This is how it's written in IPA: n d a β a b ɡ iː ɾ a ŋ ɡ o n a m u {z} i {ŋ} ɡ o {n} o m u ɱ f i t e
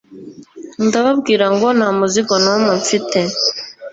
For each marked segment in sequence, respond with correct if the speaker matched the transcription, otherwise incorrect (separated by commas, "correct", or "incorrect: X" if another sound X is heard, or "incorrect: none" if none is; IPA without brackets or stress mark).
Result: correct, incorrect: none, correct